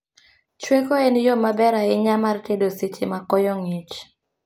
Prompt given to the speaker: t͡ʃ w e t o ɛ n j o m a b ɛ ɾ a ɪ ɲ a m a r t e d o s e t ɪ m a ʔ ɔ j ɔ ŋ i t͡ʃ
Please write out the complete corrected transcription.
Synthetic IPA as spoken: t͡ʃ w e k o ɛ n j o m a b ɛ ɾ a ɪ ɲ a m a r t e d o s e t͡ʃ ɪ m a k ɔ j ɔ ŋ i t͡ʃ